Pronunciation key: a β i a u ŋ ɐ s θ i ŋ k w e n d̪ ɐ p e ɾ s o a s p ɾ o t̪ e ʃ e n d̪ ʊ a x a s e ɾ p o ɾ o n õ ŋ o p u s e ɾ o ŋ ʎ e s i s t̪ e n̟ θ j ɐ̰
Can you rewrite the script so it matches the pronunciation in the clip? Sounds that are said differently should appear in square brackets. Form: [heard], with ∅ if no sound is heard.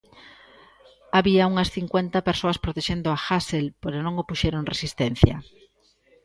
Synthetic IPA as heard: a β i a u ŋ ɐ s θ i ŋ k w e n [t̪] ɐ p e ɾ s o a s p ɾ o t̪ e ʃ e n d̪ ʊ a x a s e [l] p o ɾ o n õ ŋ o p u [ʃ] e ɾ o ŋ [r] e s i s t̪ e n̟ θ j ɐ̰